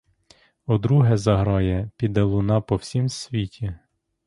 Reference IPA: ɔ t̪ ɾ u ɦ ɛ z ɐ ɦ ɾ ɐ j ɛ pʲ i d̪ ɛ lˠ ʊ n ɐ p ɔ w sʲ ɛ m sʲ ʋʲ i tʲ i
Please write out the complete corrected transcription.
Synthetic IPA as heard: ɔ d̪ ɾ u ɦ ɛ z ɐ ɦ ɾ ɑ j ɛ pʲ i d̪ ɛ lˠ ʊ n ɑ p ɔ w sʲ i m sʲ ʋʲ i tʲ i

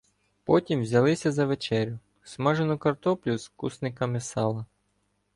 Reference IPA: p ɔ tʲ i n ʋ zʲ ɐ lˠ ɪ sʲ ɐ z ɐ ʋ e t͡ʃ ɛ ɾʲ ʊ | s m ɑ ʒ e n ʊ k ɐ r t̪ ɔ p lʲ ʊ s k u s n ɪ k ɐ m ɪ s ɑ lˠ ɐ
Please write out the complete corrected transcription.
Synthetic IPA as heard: p ɔ tʲ i m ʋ zʲ ɐ lˠ ɪ sʲ ɐ z ɐ ʋ e t͡ʃ ɛ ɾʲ ʊ | s m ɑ ʒ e n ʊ k ɐ r t̪ ɔ p lʲ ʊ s k u s n ɪ k ɐ m ɪ s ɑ lˠ ɐ

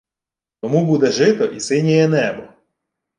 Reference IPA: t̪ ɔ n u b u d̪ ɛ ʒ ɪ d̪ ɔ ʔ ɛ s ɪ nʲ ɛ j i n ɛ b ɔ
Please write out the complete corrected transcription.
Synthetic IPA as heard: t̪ ɔ m u b u d̪ ɛ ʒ ɪ t̪ ɔ ʔ i s ɪ nʲ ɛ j ɛ n ɛ b ɔ

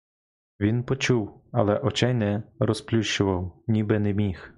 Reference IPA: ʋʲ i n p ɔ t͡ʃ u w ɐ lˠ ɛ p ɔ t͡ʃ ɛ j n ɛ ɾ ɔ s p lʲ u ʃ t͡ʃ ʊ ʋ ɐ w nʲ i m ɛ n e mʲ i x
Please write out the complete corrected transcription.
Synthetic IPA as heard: ʋʲ i n p ɔ t͡ʃ u w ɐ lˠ ɛ ʔ ɔ t͡ʃ ɛ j n ɛ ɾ ɔ s p lʲ u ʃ t͡ʃ ʊ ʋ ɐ w nʲ i b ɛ n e mʲ i x

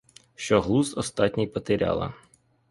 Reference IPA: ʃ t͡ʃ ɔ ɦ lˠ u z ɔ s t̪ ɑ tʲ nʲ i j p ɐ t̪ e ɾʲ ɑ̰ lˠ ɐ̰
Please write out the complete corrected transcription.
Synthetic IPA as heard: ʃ t͡ʃ ɔ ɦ lˠ u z ɔ s t̪ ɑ tʲ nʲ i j p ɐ t̪ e ɾʲ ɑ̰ lˠ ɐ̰

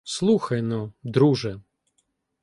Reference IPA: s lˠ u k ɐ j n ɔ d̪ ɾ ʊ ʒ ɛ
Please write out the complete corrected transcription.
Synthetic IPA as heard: s lˠ u x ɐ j n ɔ d̪ ɾ u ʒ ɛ

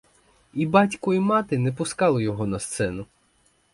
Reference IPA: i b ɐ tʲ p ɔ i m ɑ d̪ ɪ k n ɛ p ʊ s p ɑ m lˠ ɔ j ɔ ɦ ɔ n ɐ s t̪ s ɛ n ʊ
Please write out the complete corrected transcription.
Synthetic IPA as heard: i b ɑ tʲ k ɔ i m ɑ t̪ ɪ n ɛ p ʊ s k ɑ lˠ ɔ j ɔ ɦ ɔ n ɐ s t̪ s ɛ n ʊ

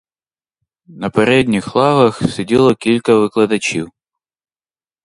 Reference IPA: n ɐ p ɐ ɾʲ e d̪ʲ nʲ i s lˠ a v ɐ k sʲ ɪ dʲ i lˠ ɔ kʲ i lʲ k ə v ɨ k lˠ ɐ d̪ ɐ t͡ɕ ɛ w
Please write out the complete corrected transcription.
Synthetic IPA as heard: n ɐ p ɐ ɾʲ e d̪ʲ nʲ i x lˠ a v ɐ x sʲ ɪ dʲ i lˠ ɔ kʲ i lʲ k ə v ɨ k lˠ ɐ d̪ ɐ t͡ɕ i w

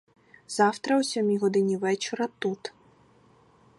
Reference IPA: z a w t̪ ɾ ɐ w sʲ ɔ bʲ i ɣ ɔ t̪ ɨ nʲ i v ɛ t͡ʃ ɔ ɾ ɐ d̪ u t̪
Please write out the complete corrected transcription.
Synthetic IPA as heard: z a w t̪ ɾ ɐ w sʲ ɔ mʲ i ɣ ɔ d̪ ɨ nʲ i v ɛ t͡ʃ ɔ ɾ ɐ t̪ u t̪

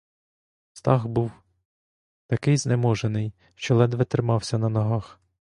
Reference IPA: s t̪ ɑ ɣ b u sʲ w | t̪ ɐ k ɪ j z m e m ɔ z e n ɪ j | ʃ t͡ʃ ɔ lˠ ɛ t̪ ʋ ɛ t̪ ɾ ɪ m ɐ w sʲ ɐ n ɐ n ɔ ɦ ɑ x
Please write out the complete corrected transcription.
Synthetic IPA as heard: s t̪ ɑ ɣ b u w | t̪ ɐ k ɪ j z n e m ɔ ʒ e n ɪ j | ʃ t͡ʃ ɔ lˠ ɛ d̪ ʋ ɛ t̪ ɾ ɪ m ɑ w sʲ ɐ n ɐ n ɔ ɦ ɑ x

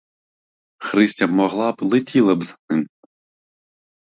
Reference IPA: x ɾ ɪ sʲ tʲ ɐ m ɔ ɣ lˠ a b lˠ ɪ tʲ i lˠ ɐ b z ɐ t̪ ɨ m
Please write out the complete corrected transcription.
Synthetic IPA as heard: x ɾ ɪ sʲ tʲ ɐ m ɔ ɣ lˠ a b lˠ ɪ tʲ i lˠ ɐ b z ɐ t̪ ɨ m

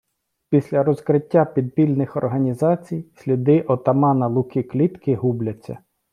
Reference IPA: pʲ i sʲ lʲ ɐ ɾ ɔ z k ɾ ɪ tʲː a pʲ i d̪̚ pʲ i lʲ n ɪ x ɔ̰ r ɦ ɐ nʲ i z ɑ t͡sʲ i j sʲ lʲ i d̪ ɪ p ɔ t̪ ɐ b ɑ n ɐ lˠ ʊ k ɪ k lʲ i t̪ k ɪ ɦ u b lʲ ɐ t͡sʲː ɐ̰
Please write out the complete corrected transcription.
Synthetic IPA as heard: pʲ i sʲ lʲ ɐ ɾ ɔ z k ɾ ɪ tʲː a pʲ i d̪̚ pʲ i lʲ n ɪ x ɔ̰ r ɦ ɐ nʲ i z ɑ t͡sʲ i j sʲ lʲ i d̪ ɪ ʔ ɔ t̪ ɐ m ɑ n ɐ lˠ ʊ k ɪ k lʲ i t̪ k ɪ ɦ u b lʲ ɐ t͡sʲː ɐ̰

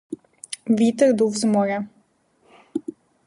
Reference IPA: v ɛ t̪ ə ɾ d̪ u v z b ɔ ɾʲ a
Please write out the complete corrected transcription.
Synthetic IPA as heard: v i t̪ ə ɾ d̪ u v z m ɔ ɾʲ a

